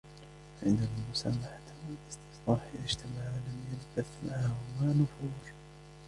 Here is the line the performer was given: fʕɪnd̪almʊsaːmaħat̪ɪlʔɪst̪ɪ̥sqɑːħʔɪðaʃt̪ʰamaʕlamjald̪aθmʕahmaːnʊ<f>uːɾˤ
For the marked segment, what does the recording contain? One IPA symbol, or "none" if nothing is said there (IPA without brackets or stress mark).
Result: f